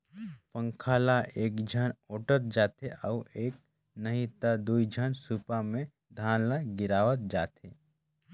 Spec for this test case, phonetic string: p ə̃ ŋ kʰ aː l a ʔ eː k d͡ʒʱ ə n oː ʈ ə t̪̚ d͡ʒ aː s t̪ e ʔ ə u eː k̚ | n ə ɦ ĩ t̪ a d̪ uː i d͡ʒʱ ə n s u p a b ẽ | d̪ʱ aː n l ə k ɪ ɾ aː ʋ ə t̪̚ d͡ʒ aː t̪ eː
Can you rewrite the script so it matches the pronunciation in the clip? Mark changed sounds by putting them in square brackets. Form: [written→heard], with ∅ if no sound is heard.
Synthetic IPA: p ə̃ ŋ kʰ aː l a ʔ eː k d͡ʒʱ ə n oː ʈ ə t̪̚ d͡ʒ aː [s→∅] t̪ e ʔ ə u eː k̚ | n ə ɦ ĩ t̪ a d̪ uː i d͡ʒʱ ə n s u p a [b→m] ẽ | d̪ʱ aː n l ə [k→ɡ] ɪ ɾ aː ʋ ə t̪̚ d͡ʒ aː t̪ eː